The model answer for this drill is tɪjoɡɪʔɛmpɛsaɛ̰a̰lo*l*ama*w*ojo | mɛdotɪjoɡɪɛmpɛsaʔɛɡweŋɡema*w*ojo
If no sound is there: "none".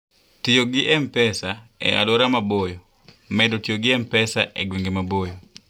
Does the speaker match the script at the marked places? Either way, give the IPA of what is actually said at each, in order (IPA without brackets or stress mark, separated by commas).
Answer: ɾ, b, b